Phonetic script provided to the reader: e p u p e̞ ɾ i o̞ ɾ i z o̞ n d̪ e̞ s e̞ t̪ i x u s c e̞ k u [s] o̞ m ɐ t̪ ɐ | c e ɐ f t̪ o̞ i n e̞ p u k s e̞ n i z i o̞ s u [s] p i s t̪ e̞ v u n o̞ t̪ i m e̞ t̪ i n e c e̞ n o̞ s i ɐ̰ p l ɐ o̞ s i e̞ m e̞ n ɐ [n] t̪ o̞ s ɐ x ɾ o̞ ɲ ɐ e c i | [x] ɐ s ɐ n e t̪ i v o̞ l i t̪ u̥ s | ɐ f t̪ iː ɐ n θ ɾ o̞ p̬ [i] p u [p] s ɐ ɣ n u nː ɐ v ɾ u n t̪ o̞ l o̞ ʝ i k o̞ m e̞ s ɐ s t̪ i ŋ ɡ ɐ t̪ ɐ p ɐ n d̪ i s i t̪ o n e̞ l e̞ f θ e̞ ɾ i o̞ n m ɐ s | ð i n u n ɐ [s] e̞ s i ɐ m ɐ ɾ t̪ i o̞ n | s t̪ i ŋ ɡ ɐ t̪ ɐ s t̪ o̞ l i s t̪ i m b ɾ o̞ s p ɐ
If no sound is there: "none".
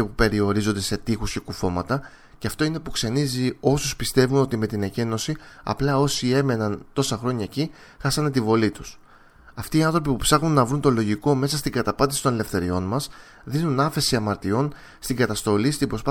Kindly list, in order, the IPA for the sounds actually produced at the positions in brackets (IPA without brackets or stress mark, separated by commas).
f, s, n, x, i, p, f